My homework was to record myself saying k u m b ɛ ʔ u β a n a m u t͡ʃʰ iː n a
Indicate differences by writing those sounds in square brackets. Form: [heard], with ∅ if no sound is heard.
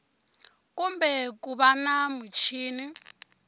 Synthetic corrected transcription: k u m b ɛ [k] u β a n a m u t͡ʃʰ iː n [i]